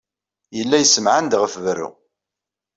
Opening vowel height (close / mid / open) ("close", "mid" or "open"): mid